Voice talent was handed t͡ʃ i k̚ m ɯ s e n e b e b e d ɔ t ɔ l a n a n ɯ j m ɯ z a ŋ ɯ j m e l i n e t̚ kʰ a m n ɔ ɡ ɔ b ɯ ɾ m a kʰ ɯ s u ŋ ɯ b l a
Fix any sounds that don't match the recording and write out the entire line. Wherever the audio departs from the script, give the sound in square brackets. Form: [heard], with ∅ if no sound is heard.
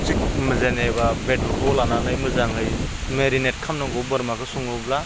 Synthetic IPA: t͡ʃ i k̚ m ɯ [z] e n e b [a] b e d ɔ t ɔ l a n a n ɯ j m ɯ z a ŋ ɯ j m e [ɾ] i n e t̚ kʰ a m n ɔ ɡ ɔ b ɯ ɾ m a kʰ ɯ s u ŋ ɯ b l a